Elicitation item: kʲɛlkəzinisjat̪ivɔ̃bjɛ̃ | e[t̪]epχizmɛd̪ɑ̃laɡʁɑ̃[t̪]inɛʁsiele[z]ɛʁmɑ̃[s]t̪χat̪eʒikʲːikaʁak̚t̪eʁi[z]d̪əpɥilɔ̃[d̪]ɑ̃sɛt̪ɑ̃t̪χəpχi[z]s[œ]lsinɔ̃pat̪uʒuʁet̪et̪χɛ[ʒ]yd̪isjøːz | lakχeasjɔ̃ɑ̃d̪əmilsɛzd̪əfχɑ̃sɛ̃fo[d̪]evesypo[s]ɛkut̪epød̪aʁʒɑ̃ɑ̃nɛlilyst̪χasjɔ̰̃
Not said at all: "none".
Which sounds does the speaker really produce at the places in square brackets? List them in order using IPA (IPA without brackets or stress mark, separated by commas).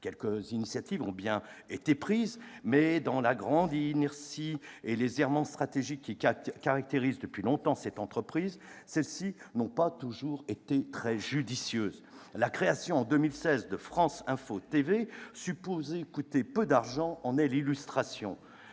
t̪, d̪, z, s, z, t̪, z, ɛ, ʒ, t̪, z